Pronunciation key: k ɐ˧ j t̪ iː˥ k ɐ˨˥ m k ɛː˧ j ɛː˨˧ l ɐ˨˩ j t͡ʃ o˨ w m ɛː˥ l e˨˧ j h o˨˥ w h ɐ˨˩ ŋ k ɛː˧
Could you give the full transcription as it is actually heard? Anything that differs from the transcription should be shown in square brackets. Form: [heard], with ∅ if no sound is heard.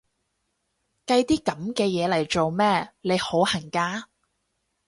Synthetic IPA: k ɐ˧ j t̪ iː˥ k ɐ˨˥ m k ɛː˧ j ɛː˨˧ l ɐ˨˩ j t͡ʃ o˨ w m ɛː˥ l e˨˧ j h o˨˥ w h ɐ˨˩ ŋ k [aː˧]